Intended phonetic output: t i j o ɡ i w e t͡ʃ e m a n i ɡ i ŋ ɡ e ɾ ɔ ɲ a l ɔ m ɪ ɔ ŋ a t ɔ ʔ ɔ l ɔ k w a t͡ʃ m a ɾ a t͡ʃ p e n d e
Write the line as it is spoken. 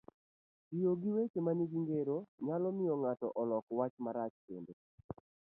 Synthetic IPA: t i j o ɡ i w e t͡ʃ e m a n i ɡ i ŋ ɡ e ɾ o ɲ a l ɔ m ɪ ɔ ŋ a t ɔ ʔ ɔ l ɔ k w a t͡ʃ m a ɾ a t͡ʃ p e n d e